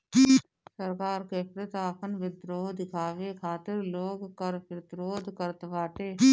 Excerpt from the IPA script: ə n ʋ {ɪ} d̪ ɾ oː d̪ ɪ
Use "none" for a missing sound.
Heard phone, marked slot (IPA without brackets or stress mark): ɪ